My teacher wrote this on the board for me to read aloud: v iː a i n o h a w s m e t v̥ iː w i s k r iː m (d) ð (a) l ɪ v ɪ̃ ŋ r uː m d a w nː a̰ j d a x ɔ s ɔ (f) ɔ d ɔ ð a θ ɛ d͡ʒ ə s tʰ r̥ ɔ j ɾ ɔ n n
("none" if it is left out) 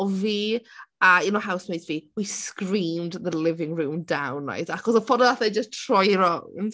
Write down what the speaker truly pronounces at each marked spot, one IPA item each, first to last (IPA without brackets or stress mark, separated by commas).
d, ə, f